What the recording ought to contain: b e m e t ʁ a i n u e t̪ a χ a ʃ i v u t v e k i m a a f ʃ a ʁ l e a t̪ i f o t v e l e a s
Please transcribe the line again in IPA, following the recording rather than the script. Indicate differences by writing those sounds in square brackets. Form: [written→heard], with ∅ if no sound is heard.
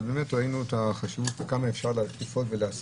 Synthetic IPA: b e m e t ʁ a i n u e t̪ a χ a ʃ i v u t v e k [i→a] m a [a→e] f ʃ a ʁ l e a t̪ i f o t v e l e a s